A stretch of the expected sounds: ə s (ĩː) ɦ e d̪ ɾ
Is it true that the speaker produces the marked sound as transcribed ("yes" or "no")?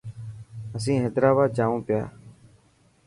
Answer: yes